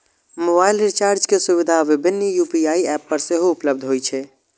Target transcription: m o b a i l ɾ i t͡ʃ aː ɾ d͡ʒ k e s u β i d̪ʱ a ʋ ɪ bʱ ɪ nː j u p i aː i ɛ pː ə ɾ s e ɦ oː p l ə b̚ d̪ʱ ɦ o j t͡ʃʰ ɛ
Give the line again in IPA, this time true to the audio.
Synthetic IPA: m o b a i l ɾ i t͡ʃ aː ɾ d͡ʒ k e s u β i d̪ʱ a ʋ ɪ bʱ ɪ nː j u p i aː i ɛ pː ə ɾ s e ɦ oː p l ə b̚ d̪ʱ ɦ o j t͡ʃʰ ɛ